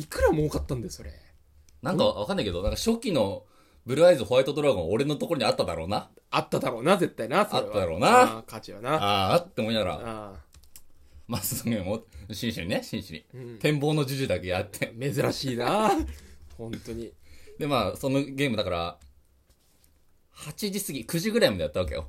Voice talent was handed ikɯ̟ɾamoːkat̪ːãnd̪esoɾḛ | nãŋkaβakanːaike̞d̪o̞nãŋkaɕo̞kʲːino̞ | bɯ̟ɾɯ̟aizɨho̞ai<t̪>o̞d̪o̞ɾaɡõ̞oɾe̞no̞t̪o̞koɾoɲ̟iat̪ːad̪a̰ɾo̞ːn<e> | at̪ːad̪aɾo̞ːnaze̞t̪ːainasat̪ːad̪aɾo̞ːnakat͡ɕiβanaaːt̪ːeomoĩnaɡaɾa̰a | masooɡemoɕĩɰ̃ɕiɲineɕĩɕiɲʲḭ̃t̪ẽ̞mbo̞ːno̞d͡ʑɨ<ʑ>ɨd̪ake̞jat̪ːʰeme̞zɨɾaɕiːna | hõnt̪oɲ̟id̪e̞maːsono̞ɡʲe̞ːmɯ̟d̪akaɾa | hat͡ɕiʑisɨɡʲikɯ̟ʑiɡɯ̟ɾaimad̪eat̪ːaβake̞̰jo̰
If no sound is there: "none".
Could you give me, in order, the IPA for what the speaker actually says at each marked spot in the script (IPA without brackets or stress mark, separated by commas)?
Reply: t̪, a, ʑ